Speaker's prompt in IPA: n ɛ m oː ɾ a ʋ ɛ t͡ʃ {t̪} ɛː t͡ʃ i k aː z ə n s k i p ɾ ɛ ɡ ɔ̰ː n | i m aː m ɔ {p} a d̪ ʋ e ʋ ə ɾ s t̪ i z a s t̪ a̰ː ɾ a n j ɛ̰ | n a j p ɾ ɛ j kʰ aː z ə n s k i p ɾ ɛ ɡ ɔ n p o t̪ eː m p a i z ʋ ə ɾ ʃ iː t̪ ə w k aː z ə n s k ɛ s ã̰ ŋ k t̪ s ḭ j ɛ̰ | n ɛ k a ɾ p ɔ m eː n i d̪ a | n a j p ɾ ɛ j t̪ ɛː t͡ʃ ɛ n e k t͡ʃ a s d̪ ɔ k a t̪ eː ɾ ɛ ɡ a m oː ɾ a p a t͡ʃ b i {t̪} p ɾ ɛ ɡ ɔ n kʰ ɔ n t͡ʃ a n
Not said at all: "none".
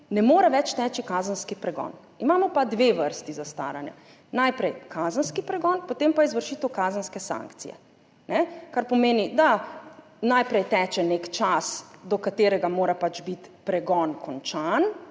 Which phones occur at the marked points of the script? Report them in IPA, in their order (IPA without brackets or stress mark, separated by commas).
t̪, p, t̪